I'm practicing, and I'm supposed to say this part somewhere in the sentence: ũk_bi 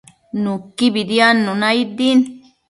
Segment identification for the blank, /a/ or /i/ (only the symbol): i